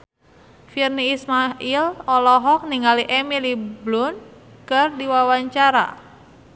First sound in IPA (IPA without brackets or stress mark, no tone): f